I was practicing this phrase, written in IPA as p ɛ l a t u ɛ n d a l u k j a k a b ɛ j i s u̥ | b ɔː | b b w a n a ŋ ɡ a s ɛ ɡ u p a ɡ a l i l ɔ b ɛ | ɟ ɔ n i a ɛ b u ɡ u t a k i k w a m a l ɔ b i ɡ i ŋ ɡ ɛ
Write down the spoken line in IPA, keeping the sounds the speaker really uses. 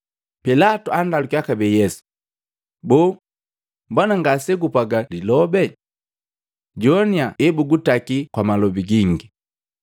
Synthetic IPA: p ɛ l a t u a n d a l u k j a k a b ɛ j ɛ s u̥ | b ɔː | m b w a n a ŋ ɡ a s ɛ ɡ u p a ɡ a l i l ɔ b ɛ | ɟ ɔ n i a ɛ b u ɡ u t a k i k w a m a l ɔ b i ɡ i ŋ ɡ i